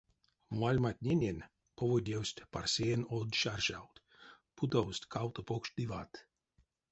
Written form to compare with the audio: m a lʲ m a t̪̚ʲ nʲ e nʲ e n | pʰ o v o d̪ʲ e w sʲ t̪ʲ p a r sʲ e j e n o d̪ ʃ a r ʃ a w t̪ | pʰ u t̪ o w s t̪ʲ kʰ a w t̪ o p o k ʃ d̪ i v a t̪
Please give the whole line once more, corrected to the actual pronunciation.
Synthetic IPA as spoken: m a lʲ m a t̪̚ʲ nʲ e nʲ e n | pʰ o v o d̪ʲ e w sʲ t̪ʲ p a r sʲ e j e n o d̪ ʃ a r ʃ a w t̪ | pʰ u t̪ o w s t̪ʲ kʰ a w t̪ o p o k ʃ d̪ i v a t̪

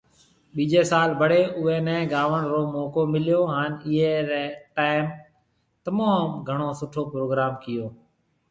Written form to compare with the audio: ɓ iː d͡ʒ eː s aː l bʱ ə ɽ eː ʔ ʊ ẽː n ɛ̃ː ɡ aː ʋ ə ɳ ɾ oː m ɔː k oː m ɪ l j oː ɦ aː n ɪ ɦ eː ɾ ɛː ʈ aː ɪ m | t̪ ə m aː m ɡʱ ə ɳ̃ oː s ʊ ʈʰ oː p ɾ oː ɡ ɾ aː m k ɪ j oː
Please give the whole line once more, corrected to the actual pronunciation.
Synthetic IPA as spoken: ɓ iː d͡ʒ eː s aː l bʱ ə ɽ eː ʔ ʊ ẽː n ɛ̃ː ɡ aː ʋ ə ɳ ɾ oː m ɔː k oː m ɪ l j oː ɦ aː n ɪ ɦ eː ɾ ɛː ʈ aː ɪ m | t̪ ə m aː m ɡʱ ə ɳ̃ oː s ʊ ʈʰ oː p ɾ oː ɡ ɾ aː m k ɪ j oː

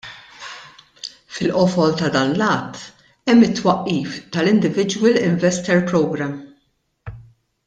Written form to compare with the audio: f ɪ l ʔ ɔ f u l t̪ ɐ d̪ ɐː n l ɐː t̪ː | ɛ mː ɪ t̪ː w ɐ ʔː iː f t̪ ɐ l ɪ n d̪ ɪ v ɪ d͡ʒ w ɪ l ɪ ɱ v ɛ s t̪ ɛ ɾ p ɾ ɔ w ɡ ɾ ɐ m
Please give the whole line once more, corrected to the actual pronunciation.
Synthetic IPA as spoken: f ɪ l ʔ ɔ f ɔ l t̪ ɐ d̪ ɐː n l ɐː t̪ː | ɛ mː ɪ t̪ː w ɐ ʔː iː f t̪ ɐ l ɪ n d̪ ɪ v ɪ d͡ʒ w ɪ l ɪ ɱ v ɛ s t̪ ɛ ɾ p ɾ ɔ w ɡ ɾ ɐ m

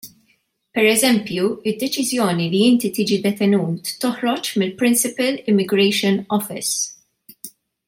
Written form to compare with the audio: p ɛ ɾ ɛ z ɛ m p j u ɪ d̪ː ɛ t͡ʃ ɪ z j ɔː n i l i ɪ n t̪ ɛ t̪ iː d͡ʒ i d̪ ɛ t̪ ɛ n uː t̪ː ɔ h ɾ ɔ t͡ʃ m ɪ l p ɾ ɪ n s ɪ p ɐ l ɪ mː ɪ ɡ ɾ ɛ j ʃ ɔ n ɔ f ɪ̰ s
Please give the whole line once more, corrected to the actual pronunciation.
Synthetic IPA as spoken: p ɛ ɾ ɛ z ɛ m p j u ɪ d̪ː ɛ t͡ʃ ɪ z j ɔː n i l i ɪ n t̪ i t̪ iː d͡ʒ i d̪ ɛ t̪ ɛ n uː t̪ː ɔ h ɾ ɔ t͡ʃ m ɪ l p ɾ ɪ n s ɪ p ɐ l ɪ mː ɪ ɡ ɾ ɛ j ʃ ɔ n ɔ f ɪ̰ s

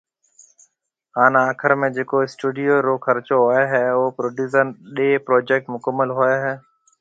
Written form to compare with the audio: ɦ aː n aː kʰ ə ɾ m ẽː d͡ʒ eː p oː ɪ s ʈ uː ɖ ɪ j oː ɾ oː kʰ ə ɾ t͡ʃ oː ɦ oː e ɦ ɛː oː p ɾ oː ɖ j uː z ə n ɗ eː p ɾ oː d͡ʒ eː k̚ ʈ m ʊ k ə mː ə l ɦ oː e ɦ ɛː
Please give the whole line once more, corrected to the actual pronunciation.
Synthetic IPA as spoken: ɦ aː n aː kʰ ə ɾ m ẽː d͡ʒ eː k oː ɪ s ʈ uː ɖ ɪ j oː ɾ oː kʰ ə ɾ t͡ʃ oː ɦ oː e ɦ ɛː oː p ɾ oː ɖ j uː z ə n ɗ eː p ɾ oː d͡ʒ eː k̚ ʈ m ʊ k ə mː ə l ɦ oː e ɦ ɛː

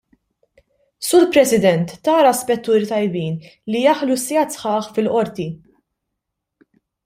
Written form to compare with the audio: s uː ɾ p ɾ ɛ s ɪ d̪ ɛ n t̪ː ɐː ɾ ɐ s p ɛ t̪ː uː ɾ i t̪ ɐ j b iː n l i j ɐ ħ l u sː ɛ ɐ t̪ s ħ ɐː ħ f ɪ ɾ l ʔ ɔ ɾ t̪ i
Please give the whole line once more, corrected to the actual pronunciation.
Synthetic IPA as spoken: s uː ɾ p ɾ ɛ s ɪ d̪ ɛ n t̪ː ɐː ɾ ɐ s p ɛ t̪ː uː ɾ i t̪ ɐ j b iː n l i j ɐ ħ l u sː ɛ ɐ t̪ s ħ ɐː ħ f ɪ l ʔ ɔ ɾ t̪ i

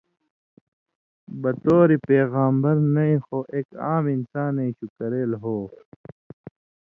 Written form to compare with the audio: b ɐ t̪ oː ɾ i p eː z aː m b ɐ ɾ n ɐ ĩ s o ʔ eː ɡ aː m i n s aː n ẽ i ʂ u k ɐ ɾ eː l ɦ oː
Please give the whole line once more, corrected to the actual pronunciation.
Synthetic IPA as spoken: b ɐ t̪ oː ɾ i p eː ɣ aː m b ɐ ɾ n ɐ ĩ x o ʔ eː k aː m i n s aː n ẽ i ɕ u k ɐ ɾ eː l ɦ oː

